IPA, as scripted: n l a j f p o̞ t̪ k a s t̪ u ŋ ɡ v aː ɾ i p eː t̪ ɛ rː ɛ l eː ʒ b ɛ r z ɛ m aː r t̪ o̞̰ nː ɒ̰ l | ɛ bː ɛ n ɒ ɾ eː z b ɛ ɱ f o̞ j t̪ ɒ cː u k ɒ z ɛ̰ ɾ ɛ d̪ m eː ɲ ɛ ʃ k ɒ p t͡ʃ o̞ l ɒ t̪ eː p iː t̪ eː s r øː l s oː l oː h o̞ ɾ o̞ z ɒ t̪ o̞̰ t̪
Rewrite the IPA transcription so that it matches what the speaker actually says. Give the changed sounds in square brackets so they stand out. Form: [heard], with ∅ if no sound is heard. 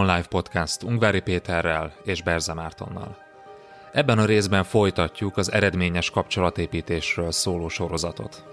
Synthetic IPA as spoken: n l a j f p o̞ t̪ k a s t̪ u ŋ ɡ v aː ɾ i p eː t̪ ɛ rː ɛ l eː ʒ b ɛ r z ɛ m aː r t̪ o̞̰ nː ɒ̰ l | ɛ bː ɛ n ɒ ɾ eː z b ɛ ɱ f o̞ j t̪ ɒ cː u k ɒ z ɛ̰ ɾ ɛ d̪ m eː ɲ ɛ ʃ k ɒ p t͡ʃ o̞ l ɒ t̪ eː p iː t̪ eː [ʃ] r øː l s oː l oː [ʃ] o̞ ɾ o̞ z ɒ t̪ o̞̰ t̪